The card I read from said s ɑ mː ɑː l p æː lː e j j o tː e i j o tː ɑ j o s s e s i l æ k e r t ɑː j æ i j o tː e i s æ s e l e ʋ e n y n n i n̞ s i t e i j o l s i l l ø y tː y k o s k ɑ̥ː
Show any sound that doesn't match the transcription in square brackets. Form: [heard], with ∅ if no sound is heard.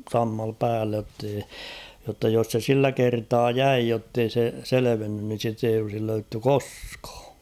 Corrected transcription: s ɑ mː [ɑ] l p æː lː e j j o tː e i j o tː ɑ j o s s e s i [lː] æ k e r t ɑː j æ i j o tː e i s [e] s e l e ʋ e [nː] y n n i n̞ s i t e i j o l s i l l ø y tː y k o s k ɑ̥ː